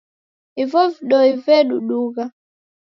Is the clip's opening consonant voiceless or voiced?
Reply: voiced